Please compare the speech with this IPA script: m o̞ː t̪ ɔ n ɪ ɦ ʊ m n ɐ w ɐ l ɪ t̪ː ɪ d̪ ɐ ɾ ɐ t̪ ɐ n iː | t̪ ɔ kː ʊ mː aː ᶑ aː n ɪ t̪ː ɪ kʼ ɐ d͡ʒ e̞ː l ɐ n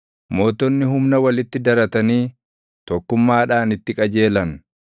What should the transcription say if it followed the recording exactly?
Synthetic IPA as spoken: m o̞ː t̪ ɔ nː ɪ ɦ ʊ m n ɐ w ɐ l ɪ t̪ː ɪ d̪ ɐ ɾ ɐ t̪ ɐ n iː | t̪ ɔ kː ʊ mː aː ᶑ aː n ɪ t̪ː ɪ kʼ ɐ d͡ʒ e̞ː l ɐ n